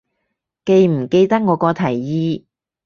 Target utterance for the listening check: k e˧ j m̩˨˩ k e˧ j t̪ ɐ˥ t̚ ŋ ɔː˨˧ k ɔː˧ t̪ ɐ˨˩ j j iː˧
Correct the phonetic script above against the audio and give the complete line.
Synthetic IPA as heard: k e˧ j m̩˨˩ k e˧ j t̪ ɐ˥ k̚ ŋ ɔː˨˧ k ɔː˧ t̪ʰ ɐ˨˩ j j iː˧